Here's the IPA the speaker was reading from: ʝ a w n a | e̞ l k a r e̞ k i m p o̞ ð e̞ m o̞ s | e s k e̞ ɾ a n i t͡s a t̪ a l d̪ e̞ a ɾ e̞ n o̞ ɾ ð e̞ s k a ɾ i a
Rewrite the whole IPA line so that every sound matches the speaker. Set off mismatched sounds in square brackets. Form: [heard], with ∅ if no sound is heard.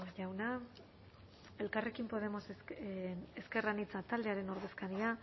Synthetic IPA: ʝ a w n a | e̞ l k a r e̞ k i m p o̞ ð e̞ m o̞ s | e s k e̞ [r] a n i t͡s a t̪ a l d̪ e̞ a ɾ e̞ n o̞ ɾ ð e̞ s k a ɾ i a